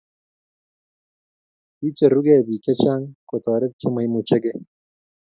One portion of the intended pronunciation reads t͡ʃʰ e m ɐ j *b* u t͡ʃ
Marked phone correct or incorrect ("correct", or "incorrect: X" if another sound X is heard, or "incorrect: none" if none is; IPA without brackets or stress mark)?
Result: incorrect: m